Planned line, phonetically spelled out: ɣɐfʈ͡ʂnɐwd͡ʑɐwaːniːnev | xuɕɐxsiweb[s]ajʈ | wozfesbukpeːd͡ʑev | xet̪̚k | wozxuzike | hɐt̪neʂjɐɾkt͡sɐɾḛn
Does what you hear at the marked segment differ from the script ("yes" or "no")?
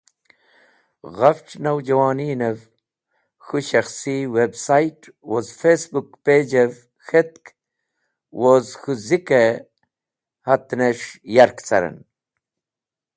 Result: no